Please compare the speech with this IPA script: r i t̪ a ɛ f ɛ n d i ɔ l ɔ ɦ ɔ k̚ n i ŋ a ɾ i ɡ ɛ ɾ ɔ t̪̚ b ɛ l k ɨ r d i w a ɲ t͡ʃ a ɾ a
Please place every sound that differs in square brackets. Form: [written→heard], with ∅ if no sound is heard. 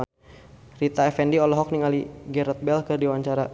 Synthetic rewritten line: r i t̪ a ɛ f ɛ n d i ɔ l ɔ ɦ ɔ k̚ n i ŋ a [ɾ→l] i ɡ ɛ ɾ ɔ t̪̚ b ɛ l k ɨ r d i w a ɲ t͡ʃ a ɾ a